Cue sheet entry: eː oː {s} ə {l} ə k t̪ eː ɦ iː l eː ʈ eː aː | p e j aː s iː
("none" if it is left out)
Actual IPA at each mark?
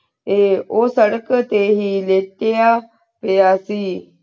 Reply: s, ɽ

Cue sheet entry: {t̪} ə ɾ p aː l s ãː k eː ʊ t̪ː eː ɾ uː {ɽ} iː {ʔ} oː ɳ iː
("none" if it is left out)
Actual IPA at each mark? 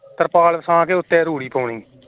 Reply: t̪, ɽ, p

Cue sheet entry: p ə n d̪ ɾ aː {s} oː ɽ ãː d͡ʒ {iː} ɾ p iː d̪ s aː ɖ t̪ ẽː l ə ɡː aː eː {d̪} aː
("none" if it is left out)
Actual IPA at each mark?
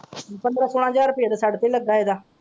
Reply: s, aː, d̪

